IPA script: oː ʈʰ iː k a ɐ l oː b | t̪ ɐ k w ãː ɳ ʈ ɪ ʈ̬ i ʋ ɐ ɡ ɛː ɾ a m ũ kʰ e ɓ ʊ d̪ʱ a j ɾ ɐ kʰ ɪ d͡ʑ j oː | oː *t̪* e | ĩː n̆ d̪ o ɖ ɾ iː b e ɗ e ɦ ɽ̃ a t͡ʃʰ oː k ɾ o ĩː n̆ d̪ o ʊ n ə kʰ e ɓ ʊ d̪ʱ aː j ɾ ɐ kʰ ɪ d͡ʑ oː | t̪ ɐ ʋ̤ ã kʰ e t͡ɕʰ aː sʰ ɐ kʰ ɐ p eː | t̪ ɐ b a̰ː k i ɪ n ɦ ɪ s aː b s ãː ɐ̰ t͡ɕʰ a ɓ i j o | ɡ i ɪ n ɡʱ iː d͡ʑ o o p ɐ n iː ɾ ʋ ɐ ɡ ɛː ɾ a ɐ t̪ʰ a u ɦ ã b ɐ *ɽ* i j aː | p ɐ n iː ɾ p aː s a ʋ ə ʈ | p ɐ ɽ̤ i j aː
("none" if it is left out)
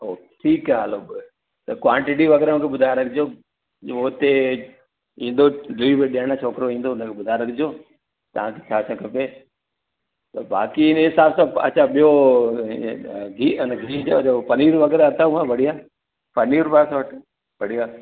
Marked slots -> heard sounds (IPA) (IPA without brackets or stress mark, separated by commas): t̪, ɽ